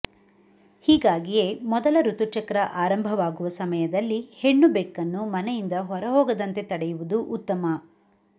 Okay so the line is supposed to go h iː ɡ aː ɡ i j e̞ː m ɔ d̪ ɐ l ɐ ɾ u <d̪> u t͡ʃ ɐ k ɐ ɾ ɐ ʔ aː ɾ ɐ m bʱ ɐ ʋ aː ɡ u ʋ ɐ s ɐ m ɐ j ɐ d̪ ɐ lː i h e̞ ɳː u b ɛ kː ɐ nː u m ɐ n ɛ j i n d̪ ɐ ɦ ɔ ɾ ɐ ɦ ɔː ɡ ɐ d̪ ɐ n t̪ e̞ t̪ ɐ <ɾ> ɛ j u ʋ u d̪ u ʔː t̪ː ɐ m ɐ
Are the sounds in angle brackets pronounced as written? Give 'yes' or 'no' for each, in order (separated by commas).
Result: no, no